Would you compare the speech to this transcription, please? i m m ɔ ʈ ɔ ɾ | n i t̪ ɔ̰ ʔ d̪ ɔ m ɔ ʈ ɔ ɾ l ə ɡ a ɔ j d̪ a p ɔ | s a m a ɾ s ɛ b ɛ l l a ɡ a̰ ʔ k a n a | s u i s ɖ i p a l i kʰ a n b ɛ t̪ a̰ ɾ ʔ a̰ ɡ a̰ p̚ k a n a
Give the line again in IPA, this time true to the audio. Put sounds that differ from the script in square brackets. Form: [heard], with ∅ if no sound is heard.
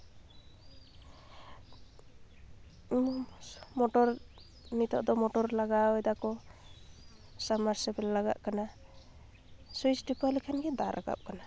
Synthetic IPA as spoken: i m m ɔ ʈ ɔ ɾ | n i t̪ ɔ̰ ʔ d̪ ɔ m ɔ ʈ ɔ ɾ l [a] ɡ a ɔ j d̪ a [k] ɔ | s a m a ɾ s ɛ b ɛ l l a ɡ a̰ ʔ k a n a | s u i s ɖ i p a l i kʰ a n [ɡ] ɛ [d̪] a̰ ɾ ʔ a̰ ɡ a̰ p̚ k a n a